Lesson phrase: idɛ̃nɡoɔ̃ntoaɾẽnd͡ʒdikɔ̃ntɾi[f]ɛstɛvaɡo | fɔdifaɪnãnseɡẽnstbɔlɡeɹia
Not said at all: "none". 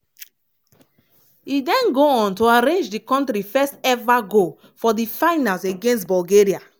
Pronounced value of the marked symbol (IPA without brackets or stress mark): f